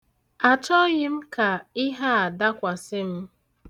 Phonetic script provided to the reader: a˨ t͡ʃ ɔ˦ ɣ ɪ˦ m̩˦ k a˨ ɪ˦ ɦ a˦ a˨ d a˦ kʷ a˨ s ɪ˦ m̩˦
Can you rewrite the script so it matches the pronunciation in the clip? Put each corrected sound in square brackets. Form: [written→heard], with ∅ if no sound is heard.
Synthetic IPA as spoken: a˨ t͡ʃ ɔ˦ ɣ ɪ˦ m̩˦ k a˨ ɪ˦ ɦ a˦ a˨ d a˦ kʷ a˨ s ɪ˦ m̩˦